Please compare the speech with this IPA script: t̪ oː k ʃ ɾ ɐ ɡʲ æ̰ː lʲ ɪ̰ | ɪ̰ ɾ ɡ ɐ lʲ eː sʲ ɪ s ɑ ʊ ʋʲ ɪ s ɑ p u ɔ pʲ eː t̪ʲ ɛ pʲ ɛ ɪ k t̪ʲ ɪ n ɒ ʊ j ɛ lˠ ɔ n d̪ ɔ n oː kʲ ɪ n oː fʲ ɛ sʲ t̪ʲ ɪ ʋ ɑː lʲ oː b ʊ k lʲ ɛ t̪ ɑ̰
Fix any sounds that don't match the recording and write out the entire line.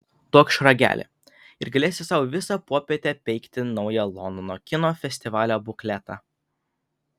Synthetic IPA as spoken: t̪ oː k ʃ ɾ ɐ ɡʲ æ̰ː lʲ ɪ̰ | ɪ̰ ɾ ɡ ɐ lʲ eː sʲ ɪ s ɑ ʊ ʋʲ ɪ s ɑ p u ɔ pʲ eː t̪ʲ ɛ pʲ ɛ ɪ k t̪ʲ ɪ n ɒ ʊ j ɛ lˠ ɔ n d̪ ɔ n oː kʲ ɪ n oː fʲ ɛ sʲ t̪ʲ ɪ ʋ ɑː lʲ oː b ʊ k lʲ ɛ t̪ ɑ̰